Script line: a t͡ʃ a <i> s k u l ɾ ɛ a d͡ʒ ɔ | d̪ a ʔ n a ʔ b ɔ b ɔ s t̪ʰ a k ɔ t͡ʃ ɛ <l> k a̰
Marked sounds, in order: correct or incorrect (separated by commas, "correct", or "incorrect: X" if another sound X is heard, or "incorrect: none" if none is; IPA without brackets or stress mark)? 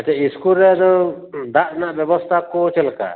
correct, correct